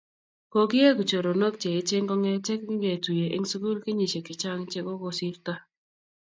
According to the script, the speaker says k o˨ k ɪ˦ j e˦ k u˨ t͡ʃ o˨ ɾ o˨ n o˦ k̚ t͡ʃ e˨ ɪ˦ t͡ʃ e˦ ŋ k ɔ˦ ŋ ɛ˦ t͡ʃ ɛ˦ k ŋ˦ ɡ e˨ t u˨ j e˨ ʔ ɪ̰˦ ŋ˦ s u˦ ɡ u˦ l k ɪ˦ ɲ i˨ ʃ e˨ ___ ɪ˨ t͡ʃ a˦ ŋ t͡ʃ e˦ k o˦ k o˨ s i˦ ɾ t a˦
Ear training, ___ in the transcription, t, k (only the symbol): k